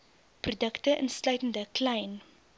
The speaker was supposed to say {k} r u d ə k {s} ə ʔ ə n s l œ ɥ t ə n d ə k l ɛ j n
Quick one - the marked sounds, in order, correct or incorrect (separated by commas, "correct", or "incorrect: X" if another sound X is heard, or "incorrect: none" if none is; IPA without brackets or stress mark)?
incorrect: p, incorrect: t